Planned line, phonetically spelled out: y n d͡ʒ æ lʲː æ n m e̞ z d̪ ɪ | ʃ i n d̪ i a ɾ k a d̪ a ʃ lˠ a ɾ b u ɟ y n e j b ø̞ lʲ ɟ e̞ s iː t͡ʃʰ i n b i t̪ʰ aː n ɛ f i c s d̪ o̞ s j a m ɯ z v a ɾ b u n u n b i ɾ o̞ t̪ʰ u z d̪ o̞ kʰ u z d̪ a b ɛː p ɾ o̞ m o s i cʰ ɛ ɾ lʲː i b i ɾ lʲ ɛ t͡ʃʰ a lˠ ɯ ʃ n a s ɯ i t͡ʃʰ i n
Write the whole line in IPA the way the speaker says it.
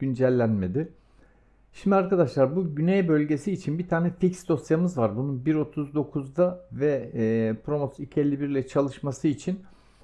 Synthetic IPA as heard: y n d͡ʒ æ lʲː æ n m e̞ d̪ ɪ | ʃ i m d̪ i a ɾ k a d̪ a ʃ lˠ a ɾ b u ɟ y n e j b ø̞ lʲ ɟ e̞ s iː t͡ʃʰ i n b i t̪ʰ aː n ɛ f i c s d̪ o̞ s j a m ɯ z v a ɾ b u n u n b i ɾ o̞ t̪ʰ u z d̪ o̞ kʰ u z d̪ a v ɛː p ɾ o̞ m o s i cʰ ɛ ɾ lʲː i b i ɾ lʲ ɛ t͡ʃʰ a lˠ ɯ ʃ m a s ɯ i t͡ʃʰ i n